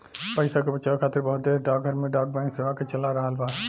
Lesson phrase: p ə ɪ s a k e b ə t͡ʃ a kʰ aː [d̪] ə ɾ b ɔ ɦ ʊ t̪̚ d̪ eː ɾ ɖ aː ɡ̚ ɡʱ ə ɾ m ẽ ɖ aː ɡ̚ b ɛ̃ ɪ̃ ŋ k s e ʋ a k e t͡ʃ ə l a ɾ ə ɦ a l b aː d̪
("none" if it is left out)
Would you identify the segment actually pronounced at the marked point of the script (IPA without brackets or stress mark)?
t̪